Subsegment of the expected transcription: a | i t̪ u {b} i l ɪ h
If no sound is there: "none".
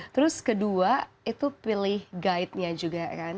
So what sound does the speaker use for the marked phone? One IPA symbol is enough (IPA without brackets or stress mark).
p